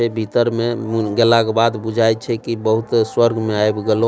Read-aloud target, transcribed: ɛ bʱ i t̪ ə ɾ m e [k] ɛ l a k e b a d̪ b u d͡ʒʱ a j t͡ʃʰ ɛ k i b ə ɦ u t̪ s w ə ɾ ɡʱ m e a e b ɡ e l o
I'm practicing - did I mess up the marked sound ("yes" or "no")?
yes